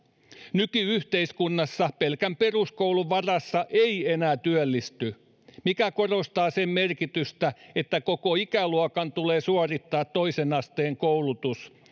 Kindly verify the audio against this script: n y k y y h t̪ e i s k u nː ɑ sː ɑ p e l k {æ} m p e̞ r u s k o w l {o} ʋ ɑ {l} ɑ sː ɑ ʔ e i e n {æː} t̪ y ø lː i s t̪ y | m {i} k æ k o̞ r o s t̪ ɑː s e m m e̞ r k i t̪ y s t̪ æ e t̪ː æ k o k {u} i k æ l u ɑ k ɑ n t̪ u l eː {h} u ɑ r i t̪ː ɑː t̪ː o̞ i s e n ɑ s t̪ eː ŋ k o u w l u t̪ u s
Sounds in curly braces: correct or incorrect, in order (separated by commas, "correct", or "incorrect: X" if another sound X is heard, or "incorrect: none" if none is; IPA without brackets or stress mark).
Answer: correct, incorrect: u, incorrect: r, correct, correct, incorrect: o, incorrect: s